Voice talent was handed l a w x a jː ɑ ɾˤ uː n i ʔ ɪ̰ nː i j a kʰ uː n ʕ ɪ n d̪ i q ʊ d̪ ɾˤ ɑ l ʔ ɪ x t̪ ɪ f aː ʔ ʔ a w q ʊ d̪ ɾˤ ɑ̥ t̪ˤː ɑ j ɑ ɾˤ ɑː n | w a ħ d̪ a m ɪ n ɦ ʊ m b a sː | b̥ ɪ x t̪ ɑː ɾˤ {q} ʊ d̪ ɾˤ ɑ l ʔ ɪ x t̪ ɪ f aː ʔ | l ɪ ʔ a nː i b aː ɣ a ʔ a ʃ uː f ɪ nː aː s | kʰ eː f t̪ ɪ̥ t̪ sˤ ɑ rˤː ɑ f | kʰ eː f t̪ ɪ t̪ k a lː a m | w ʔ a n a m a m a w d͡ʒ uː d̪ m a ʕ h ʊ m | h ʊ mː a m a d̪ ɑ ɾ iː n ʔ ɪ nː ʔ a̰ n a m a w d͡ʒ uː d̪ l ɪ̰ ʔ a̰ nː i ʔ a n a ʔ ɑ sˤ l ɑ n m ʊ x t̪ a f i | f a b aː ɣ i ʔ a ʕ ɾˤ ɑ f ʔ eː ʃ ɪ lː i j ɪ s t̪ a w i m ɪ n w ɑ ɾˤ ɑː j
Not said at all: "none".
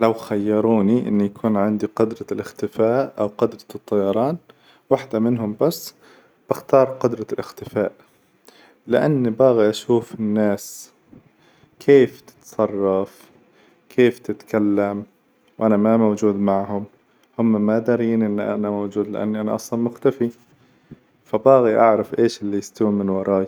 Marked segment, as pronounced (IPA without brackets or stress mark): q